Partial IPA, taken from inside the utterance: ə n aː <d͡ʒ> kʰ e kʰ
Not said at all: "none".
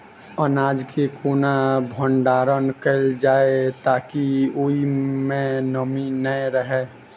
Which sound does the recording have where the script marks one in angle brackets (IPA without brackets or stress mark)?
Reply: d͡ʒ